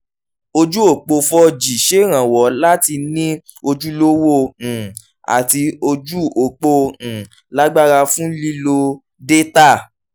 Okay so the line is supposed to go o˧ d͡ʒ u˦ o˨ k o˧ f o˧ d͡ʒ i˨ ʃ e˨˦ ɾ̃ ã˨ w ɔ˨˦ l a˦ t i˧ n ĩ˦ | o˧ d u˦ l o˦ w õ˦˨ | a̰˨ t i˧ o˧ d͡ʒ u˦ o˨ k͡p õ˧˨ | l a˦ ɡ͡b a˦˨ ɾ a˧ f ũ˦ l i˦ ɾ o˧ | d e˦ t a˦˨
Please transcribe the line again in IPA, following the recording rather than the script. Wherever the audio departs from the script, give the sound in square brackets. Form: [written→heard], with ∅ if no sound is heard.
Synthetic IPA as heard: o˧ d͡ʒ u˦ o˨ [k→k͡p] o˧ f [o˧→ɔ˧] d͡ʒ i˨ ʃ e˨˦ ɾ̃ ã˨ w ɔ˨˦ l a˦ t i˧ n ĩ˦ | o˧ [d→d͡ʒ] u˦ l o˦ w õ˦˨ | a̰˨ t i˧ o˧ d͡ʒ u˦ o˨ k͡p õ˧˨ | l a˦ ɡ͡b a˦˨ ɾ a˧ f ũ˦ l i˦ [ɾ→l] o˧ | d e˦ t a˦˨